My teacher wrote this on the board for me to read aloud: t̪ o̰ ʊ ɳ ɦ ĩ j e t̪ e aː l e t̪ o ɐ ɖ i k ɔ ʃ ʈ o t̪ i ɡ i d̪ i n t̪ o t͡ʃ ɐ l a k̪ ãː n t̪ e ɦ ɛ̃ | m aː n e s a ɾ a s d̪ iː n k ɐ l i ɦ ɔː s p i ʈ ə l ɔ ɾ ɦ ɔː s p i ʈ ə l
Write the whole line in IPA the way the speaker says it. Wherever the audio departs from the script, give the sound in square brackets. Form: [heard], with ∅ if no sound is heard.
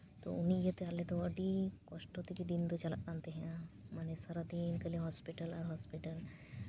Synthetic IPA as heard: t̪ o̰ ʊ [n] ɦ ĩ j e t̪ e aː l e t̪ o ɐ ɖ i k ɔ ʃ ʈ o t̪ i [k] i d̪ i n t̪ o t͡ʃ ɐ l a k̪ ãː n t̪ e ɦ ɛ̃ | m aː n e s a ɾ a [∅] d̪ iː n k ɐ l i ɦ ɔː s p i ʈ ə l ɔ ɾ ɦ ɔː s p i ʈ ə l